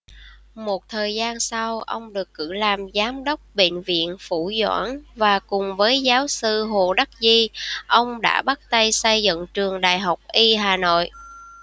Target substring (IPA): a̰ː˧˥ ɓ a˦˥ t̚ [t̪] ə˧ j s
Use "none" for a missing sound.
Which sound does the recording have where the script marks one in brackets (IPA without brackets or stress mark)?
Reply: t̪